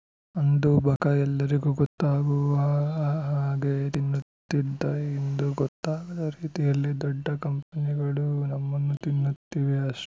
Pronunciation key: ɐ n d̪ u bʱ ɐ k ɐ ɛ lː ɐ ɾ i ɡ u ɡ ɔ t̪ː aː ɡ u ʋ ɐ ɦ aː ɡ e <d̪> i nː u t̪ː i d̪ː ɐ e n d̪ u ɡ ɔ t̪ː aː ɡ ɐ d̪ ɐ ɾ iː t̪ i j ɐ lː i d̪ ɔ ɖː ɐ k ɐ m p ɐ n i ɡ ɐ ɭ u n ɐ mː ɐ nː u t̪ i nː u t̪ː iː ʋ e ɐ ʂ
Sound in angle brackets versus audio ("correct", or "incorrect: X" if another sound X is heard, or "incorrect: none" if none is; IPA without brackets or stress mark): incorrect: t̪